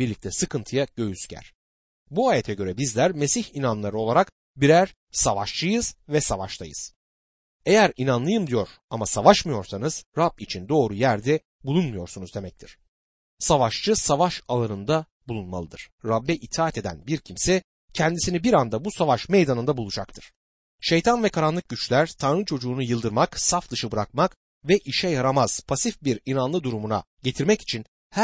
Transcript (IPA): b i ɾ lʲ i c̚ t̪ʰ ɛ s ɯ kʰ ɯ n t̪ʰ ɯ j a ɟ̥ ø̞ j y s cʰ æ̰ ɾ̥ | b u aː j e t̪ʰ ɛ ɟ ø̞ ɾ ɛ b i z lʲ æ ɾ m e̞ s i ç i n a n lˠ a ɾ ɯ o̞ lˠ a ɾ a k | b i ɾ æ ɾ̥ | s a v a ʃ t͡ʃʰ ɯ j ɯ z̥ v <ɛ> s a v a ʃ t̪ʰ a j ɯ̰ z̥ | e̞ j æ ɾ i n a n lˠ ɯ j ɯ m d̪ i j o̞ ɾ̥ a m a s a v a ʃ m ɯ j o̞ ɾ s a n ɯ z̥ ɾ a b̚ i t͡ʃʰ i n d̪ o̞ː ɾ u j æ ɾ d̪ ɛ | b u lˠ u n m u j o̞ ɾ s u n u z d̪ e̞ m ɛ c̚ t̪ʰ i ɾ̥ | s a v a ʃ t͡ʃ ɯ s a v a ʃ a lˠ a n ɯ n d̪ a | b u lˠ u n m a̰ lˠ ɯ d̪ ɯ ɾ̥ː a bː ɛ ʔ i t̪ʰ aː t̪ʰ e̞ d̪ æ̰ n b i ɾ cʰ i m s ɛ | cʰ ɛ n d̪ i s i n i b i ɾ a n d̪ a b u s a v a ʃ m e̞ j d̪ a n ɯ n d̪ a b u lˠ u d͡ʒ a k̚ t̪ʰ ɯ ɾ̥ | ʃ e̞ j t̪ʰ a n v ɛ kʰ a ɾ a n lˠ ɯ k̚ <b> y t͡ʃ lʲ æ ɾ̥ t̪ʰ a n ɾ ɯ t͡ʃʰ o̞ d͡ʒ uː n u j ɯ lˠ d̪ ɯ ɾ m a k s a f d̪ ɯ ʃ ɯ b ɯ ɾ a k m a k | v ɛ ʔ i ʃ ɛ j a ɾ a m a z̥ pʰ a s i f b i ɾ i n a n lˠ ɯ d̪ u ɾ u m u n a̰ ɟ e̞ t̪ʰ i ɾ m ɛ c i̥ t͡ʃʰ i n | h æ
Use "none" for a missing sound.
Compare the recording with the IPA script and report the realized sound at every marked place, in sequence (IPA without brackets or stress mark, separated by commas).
ɛ, ɟ